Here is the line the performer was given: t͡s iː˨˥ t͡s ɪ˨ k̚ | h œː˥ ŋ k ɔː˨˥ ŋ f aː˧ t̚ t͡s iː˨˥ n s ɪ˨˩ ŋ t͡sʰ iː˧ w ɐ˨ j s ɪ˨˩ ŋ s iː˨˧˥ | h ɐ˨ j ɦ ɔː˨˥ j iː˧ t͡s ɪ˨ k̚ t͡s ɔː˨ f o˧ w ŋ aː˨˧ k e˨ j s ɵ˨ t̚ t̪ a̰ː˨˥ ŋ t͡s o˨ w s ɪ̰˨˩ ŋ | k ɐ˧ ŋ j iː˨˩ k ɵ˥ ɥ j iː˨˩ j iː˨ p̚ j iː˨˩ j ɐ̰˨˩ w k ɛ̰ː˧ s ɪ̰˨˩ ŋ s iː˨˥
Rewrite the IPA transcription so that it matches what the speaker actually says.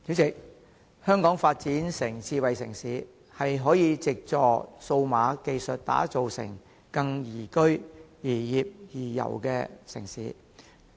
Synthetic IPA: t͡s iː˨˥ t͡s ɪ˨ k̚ | h œː˥ ŋ k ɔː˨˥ ŋ f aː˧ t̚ t͡s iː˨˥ n s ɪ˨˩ ŋ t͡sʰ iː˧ w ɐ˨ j s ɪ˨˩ ŋ s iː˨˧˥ | h ɐ˨ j ɦ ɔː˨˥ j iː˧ t͡s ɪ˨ k̚ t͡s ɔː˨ s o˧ w m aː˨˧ k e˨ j s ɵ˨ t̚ t̪ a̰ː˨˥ t͡s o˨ w s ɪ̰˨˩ ŋ | k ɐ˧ ŋ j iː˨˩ k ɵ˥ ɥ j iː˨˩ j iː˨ p̚ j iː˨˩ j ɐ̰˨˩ w k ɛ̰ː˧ s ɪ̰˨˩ ŋ s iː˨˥